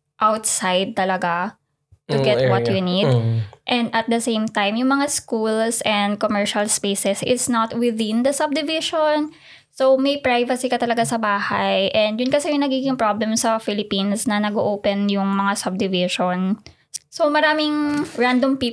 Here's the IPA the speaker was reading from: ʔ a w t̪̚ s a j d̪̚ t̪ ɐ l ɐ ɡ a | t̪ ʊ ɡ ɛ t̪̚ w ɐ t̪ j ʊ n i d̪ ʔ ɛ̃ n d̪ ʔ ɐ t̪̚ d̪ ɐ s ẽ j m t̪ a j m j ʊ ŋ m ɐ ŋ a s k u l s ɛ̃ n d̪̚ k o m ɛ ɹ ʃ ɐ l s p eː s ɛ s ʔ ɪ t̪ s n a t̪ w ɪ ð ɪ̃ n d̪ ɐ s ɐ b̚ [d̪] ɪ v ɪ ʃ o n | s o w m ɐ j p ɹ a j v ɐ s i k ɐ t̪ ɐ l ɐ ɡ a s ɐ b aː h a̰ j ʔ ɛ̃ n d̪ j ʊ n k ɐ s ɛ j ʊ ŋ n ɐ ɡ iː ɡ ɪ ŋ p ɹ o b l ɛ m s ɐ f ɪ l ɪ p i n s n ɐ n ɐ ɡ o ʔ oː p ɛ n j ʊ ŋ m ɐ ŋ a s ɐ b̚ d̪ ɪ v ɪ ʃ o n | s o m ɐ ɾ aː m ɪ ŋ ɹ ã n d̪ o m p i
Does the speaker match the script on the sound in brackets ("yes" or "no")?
yes